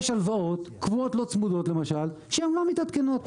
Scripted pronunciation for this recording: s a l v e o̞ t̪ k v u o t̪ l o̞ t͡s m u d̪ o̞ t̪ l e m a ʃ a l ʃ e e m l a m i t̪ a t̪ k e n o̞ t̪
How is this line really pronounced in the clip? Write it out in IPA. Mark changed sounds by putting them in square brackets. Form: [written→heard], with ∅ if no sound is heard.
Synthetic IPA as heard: [s→ʃ] a l v [e→a] o̞ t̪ k v u o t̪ l o̞ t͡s m u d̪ o̞ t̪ l e m a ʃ a l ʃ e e m l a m i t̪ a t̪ k e n o̞ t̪